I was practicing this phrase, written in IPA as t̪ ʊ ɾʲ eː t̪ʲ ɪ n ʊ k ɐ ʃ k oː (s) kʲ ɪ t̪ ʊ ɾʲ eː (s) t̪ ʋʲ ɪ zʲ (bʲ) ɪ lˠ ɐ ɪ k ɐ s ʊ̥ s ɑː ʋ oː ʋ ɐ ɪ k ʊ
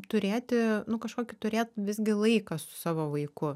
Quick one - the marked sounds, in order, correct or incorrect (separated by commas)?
incorrect, incorrect, incorrect